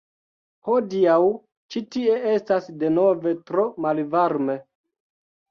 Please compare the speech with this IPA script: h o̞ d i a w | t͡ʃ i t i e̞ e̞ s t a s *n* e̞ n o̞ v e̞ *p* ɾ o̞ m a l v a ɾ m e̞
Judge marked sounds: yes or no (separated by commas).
no, no